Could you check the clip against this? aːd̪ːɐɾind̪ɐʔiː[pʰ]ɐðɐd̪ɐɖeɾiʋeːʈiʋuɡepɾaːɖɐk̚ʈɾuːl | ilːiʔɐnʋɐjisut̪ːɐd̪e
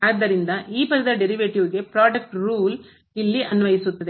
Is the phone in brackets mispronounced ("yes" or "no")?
yes